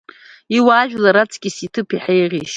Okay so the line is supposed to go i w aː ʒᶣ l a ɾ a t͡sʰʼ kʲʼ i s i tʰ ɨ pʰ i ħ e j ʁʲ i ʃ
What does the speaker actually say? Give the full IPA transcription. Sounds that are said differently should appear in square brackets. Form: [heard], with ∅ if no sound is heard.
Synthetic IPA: i w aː ʒᶣ l a ɾ a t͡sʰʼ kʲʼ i s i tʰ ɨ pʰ i ħ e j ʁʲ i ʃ